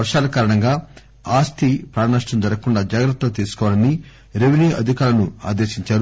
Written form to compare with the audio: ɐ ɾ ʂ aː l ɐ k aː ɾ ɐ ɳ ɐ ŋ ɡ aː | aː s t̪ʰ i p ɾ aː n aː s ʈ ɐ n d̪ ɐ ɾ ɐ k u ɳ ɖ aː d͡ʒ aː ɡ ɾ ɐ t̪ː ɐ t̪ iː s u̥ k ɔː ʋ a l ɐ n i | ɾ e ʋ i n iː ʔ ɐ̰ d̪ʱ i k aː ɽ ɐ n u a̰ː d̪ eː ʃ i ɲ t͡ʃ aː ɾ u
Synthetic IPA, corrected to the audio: ɐ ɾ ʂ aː l ɐ k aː ɾ ɐ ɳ ɐ ŋ ɡ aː | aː s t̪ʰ i p ɾ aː n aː ʂ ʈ ɐ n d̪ ɐ ɾ ɐ k u ɳ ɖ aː d͡ʒ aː ɡ ɾ ɐ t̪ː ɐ t̪ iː s u̥ k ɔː ʋ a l ɐ n i | ɾ e ʋ i n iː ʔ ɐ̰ d̪ʱ i k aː l ɐ n u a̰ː d̪ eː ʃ i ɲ t͡ʃ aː ɾ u